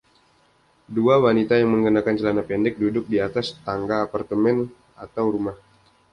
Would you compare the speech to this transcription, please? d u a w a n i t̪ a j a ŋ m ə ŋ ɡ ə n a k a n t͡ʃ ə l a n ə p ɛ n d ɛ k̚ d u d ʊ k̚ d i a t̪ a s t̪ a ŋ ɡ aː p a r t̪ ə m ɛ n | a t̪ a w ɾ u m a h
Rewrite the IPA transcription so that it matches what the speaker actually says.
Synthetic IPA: d u a w a n i t̪ a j a ŋ m ə ŋ ɡ ə n a k a n t͡ʃ ə l a n a p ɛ n d ɛ k̚ d u d ʊ k̚ d i a t̪ a s t̪ a ŋ ɡ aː p a r t̪ ə m ɛ n | a t̪ a w ɾ u m a h